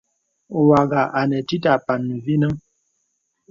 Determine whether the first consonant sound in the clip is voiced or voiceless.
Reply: voiced